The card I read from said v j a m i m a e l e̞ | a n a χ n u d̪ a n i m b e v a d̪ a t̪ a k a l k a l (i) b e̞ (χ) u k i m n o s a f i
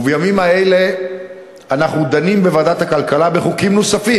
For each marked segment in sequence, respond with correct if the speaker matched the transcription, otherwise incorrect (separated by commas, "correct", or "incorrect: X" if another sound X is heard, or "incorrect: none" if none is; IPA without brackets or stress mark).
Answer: incorrect: a, correct